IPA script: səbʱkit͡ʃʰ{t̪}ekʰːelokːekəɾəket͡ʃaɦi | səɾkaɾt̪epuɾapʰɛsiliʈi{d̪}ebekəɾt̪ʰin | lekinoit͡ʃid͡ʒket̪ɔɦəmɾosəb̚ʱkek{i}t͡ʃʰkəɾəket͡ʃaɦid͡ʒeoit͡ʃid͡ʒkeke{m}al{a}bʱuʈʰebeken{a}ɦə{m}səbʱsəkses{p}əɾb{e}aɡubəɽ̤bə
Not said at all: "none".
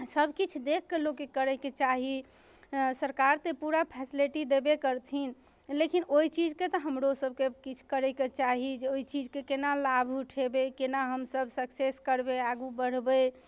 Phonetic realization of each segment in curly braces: d̪, d̪, i, n, a, a, m, k, e

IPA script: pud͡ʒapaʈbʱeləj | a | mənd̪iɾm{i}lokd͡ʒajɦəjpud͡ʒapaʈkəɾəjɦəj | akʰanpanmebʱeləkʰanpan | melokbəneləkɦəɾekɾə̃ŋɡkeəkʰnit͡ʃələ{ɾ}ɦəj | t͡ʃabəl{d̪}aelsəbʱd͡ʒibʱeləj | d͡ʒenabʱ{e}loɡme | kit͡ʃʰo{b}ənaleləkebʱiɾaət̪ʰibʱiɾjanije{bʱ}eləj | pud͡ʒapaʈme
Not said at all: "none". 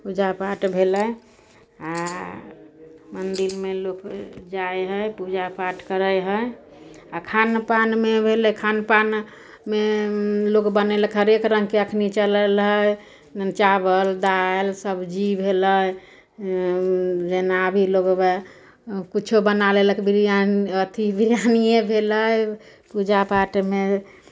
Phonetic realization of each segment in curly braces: e, l, d̪, i, b, bʱ

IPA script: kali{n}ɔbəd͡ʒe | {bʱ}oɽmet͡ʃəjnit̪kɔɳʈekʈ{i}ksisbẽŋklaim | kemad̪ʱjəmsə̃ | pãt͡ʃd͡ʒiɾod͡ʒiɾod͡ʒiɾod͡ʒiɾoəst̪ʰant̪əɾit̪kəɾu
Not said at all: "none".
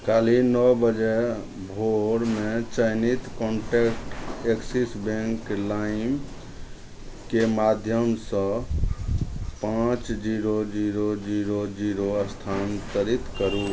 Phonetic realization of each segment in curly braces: n, bʱ, e

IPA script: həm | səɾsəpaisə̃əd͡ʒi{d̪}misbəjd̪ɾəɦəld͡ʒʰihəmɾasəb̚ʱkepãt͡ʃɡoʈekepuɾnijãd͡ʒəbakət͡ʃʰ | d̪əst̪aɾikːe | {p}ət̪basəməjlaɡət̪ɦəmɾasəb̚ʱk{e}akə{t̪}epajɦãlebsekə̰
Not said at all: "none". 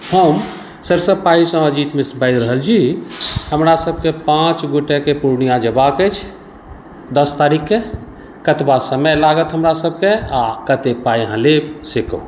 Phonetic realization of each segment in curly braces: t̪, k, e, t̪

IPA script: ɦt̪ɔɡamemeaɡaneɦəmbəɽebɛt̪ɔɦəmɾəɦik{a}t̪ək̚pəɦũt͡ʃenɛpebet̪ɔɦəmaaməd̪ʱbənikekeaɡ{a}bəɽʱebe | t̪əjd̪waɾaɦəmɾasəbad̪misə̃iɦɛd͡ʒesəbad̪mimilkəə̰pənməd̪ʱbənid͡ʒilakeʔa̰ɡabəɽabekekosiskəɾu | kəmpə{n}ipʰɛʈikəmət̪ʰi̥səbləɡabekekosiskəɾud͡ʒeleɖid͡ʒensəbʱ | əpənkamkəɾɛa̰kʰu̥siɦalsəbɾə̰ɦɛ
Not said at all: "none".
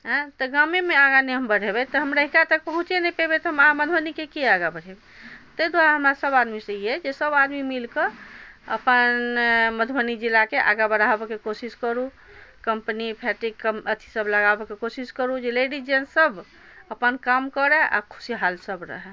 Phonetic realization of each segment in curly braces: a, a, n

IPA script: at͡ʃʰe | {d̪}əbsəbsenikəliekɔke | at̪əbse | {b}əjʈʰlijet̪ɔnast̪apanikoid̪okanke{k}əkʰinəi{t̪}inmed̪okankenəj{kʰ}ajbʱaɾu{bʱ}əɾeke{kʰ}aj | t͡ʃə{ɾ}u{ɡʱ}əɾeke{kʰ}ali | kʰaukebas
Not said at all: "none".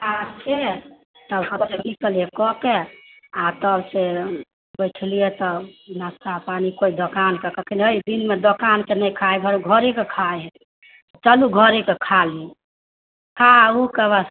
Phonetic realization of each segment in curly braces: t̪, b, k, d̪, kʰ, ɡʱ, kʰ, l, ɡʱ, kʰ

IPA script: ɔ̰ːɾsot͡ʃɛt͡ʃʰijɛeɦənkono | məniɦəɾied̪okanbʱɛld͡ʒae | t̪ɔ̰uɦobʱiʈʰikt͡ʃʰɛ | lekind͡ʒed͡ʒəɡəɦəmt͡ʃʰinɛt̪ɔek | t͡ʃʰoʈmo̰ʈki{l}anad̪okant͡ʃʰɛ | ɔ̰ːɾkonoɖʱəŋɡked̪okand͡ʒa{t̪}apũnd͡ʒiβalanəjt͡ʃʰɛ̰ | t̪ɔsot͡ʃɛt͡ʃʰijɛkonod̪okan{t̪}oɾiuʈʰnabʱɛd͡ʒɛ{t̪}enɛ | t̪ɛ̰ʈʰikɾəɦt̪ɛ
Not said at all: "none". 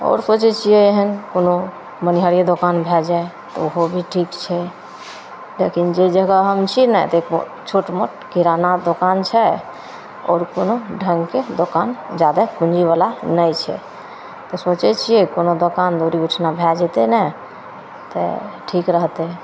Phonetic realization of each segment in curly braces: ɾ, d̪, d̪, t̪

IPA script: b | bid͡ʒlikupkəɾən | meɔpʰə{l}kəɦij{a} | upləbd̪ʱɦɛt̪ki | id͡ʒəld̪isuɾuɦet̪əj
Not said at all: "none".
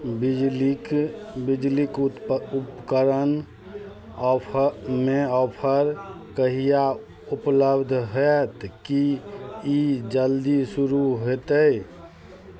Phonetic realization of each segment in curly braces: ɾ, a

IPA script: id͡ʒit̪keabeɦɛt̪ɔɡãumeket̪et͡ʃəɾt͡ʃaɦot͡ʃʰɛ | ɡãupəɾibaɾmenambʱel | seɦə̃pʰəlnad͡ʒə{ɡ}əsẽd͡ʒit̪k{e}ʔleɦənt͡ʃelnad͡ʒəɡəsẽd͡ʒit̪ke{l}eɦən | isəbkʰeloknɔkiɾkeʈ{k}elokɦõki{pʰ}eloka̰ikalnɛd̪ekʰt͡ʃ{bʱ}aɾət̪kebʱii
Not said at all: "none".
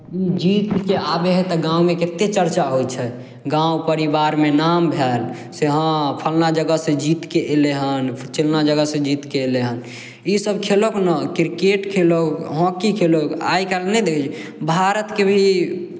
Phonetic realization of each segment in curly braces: ɡ, e, l, kʰ, kʰ, bʱ

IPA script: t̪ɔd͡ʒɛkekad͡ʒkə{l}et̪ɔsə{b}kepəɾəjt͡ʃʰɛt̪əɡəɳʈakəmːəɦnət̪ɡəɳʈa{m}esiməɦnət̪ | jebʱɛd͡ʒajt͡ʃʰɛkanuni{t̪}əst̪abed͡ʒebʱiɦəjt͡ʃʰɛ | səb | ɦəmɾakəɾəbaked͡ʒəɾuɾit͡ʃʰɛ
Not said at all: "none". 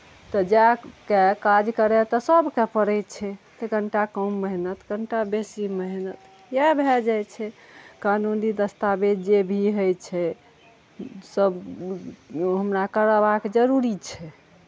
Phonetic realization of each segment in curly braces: ɾ, b, b, d̪

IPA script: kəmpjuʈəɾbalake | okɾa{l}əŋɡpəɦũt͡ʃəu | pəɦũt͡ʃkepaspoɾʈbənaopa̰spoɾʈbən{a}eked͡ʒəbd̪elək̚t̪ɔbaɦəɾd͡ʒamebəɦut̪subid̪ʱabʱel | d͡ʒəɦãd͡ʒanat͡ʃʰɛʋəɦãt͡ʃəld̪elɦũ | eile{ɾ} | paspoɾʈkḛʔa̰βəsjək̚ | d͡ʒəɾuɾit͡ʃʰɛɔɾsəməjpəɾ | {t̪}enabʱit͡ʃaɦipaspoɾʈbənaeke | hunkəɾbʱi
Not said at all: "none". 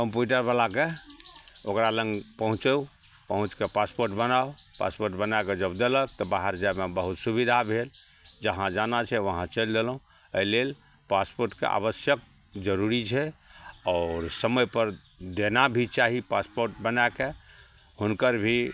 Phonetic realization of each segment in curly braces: l, a, l, d̪

